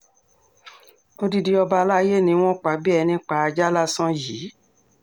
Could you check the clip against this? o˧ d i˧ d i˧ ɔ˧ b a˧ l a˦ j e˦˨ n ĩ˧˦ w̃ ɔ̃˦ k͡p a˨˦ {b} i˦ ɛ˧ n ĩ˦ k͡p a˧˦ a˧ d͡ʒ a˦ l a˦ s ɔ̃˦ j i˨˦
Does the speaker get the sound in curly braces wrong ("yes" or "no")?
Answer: no